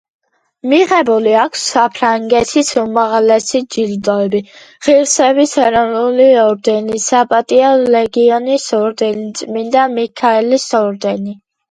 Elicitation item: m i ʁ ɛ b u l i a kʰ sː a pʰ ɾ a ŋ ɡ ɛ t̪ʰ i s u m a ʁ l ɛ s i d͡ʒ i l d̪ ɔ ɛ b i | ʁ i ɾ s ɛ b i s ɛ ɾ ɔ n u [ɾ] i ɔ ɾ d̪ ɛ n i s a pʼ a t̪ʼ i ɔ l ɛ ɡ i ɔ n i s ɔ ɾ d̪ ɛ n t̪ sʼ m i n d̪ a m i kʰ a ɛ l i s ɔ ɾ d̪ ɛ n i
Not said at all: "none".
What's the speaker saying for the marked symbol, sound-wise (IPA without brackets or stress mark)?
l